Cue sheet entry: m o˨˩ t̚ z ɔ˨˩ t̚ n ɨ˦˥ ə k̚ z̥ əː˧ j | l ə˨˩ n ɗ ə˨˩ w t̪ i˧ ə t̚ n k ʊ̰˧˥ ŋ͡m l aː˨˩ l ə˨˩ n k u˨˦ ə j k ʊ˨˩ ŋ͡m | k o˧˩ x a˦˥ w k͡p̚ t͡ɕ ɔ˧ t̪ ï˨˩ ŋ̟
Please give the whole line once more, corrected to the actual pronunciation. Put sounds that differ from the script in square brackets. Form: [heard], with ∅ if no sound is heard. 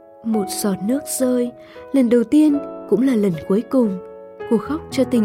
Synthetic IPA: m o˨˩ t̚ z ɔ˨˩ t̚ n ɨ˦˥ ə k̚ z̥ əː˧ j | l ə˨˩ n ɗ ə˨˩ w t̪ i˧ ə [∅] n k ʊ̰˧˥ ŋ͡m l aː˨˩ l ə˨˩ n k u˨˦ ə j k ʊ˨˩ ŋ͡m | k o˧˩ x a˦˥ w k͡p̚ t͡ɕ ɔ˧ t̪ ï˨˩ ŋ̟